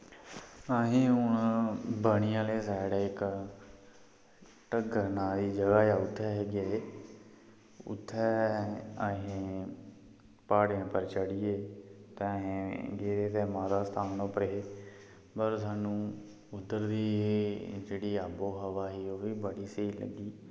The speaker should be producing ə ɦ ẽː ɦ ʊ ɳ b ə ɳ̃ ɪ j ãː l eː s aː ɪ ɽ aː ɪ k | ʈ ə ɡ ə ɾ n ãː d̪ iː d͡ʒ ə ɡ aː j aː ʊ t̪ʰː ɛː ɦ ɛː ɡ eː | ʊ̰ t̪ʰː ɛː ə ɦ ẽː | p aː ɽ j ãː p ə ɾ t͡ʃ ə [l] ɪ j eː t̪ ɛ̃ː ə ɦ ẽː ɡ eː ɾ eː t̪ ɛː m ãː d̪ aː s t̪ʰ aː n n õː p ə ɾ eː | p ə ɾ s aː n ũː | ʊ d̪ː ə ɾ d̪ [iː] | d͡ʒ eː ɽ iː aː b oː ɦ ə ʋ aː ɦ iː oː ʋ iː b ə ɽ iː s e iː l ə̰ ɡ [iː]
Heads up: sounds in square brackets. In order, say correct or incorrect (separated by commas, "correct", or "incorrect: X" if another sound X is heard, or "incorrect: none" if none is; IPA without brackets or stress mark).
incorrect: ɽ, correct, correct